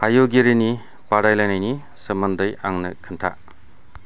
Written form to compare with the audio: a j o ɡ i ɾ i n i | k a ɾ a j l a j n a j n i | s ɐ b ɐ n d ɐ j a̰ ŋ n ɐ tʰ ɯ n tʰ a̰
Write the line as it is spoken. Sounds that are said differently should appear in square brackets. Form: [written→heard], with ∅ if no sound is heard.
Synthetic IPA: a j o ɡ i ɾ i n i | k a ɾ a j l a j n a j n i | s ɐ [b→m] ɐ n d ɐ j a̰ ŋ n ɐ [tʰ→kʰ] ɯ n tʰ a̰